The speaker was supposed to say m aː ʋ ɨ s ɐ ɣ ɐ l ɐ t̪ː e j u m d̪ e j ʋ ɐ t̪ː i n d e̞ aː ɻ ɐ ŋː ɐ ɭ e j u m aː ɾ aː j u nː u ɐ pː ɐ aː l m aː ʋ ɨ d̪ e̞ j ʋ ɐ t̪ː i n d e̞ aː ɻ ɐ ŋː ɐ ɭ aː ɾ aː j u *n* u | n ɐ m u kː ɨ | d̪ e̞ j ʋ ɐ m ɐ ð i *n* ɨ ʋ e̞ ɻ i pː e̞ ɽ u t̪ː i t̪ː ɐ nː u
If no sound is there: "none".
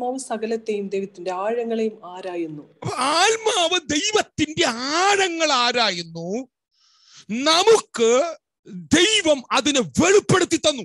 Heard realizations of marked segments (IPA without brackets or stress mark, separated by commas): nː, n